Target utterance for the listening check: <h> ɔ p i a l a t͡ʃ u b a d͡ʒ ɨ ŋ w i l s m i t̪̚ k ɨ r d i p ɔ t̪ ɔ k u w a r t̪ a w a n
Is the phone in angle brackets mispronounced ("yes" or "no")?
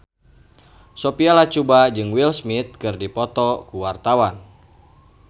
yes